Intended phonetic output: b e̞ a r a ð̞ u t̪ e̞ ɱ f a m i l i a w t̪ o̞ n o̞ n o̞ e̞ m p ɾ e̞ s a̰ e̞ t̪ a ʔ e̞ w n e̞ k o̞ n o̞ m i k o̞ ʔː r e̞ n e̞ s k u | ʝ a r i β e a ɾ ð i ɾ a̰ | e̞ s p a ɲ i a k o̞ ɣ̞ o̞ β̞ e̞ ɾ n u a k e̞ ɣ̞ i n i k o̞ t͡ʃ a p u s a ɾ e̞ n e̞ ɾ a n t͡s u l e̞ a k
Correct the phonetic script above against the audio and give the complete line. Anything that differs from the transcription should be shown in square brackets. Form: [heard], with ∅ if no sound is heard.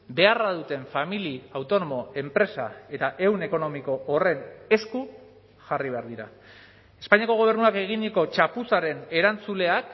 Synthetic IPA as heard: b e̞ a r a ð̞ u t̪ e̞ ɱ f a m i l i a w t̪ o̞ n o̞ [m] o̞ e̞ m p ɾ e̞ s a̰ e̞ t̪ a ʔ e̞ w n e̞ k o̞ n o̞ m i k o̞ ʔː r e̞ n e̞ s k u | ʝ a r i β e a ɾ ð i ɾ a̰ | e̞ s p a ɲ i a k o̞ ɣ̞ o̞ β̞ e̞ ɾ n u a k e̞ ɣ̞ i n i k o̞ t͡ʃ a p u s a ɾ e̞ n e̞ ɾ a n t͡s u l e̞ a k